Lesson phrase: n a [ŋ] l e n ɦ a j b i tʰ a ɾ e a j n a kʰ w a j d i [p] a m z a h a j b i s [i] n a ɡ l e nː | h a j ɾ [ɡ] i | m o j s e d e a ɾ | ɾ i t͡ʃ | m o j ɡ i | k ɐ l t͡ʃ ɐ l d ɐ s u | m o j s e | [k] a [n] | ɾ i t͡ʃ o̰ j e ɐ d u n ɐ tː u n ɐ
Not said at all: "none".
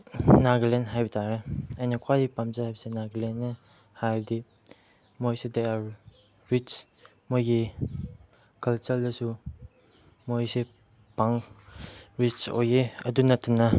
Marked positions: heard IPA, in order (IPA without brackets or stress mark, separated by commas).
ɡ, p, e, d, p, ŋ